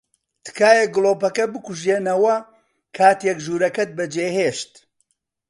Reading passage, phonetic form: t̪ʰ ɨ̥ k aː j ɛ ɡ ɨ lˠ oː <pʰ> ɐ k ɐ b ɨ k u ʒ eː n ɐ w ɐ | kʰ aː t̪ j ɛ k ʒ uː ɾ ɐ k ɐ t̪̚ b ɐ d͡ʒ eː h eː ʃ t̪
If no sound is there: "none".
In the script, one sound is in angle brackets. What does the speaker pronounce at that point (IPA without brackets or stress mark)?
p